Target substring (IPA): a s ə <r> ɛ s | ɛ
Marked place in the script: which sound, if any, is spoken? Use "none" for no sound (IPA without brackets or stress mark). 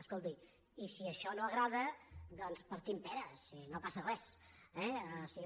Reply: r